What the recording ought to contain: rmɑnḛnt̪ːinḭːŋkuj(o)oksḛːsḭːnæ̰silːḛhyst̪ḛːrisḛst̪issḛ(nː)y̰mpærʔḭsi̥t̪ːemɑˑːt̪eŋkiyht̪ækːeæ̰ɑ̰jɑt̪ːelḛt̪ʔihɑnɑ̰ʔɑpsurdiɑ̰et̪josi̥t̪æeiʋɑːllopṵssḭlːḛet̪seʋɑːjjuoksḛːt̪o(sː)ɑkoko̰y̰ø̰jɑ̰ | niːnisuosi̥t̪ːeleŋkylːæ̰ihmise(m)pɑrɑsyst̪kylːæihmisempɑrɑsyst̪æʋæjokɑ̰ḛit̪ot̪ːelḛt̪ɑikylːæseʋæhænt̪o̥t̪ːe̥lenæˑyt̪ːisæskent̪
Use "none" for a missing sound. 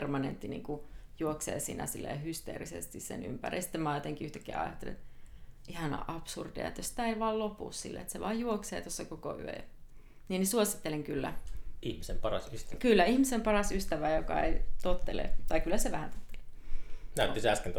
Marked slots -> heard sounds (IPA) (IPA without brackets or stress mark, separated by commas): u, n, sː, m